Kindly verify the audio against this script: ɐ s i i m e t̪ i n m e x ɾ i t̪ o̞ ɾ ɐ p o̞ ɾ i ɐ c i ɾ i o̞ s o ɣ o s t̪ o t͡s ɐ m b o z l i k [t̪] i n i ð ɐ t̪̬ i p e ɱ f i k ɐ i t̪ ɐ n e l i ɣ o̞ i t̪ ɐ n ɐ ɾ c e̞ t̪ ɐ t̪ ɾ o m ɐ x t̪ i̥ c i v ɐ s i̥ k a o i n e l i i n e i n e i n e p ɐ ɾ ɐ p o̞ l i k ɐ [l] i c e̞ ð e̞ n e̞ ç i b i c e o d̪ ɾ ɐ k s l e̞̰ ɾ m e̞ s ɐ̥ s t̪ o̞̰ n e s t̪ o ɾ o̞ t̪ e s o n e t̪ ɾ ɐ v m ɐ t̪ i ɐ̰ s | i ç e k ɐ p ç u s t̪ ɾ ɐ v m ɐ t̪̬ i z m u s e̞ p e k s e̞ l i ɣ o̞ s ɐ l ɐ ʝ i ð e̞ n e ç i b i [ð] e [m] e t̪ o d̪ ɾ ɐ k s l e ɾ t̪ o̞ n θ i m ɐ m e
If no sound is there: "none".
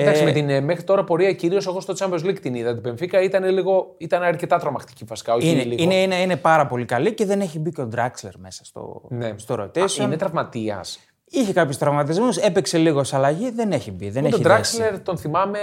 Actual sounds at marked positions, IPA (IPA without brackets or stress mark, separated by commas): t̪, l, ð, n